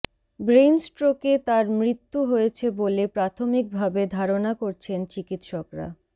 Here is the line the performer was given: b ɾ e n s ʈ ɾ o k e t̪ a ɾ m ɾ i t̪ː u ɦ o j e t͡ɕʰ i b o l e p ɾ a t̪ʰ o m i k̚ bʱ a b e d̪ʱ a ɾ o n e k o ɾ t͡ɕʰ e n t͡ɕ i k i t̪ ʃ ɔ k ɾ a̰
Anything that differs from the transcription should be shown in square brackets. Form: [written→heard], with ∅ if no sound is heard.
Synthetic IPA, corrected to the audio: b ɾ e n s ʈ ɾ o k e t̪ a ɾ m ɾ i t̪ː u ɦ o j e t͡ɕʰ [i→e] b o l e p ɾ a t̪ʰ o m i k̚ bʱ a b e d̪ʱ a ɾ o n [e→a] k o ɾ t͡ɕʰ e n t͡ɕ i k i t̪ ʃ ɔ k ɾ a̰